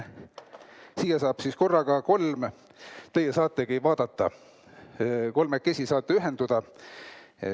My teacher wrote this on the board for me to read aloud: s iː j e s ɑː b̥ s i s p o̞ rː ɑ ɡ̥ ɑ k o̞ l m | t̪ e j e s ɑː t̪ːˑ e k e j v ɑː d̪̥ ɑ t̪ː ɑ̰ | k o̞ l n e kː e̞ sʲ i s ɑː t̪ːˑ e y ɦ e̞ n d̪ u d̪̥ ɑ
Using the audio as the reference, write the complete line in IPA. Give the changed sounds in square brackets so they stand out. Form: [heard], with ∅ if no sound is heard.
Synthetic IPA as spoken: s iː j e s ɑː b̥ s i s [k] o̞ rː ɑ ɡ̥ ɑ k o̞ l m | t̪ e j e s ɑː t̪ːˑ e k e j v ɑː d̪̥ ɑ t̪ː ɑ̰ | k o̞ l [m] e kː e̞ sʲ i s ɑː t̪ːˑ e y ɦ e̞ n d̪ u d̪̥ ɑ